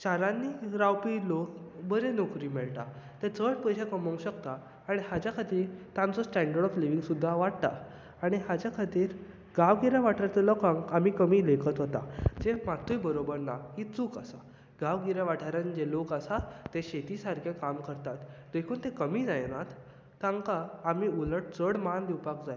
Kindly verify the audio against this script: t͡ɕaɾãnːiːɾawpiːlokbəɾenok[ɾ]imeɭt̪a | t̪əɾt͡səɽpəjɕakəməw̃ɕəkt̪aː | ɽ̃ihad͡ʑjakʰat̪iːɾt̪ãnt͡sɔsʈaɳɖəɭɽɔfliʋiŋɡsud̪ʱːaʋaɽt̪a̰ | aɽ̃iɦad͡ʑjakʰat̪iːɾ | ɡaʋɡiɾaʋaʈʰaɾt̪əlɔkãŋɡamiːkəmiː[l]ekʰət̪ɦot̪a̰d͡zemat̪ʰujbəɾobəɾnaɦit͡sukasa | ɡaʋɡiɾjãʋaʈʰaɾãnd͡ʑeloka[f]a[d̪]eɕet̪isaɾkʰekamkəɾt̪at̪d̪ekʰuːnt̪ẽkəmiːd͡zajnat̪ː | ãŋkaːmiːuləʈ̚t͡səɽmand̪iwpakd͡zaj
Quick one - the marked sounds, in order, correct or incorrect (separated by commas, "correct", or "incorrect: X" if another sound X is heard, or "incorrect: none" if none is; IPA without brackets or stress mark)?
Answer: correct, correct, incorrect: s, incorrect: t̪